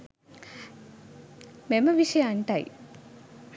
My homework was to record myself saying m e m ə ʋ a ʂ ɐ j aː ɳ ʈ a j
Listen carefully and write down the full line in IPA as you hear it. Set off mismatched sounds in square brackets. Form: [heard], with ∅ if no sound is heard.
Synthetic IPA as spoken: m e m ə ʋ [i] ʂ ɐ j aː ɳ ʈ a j